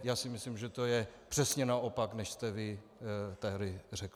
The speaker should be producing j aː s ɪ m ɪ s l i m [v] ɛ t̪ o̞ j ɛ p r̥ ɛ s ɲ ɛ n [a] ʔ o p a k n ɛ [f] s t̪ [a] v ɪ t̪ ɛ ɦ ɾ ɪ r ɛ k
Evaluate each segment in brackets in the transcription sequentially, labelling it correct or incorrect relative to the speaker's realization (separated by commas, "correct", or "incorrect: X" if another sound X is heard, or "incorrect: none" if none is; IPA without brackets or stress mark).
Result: incorrect: ʒ, correct, incorrect: ʃ, incorrect: ɛ